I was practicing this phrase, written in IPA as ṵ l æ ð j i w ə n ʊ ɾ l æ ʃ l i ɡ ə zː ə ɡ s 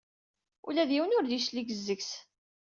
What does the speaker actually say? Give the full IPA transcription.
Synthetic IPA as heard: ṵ l æ ð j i w ə n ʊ ɾ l i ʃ l i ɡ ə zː ə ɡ s